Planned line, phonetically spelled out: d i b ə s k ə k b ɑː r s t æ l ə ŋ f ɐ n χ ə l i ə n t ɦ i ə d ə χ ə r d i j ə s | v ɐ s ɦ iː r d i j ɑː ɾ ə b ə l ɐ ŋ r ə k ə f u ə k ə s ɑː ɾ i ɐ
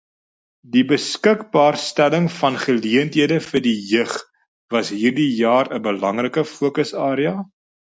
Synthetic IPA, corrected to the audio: d i b ə s k ə k b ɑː r s t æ l ə ŋ f ɐ n χ ə l i ə n t ɦ i ə d ə f ə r d i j ə χ | v ɐ s ɦ iː r d i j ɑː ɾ ə b ə l ɐ ŋ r ə k ə f u ə k ə s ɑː ɾ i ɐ